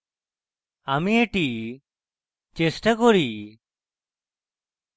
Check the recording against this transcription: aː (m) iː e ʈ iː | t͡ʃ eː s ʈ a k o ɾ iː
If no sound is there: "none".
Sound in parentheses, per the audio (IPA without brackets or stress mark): m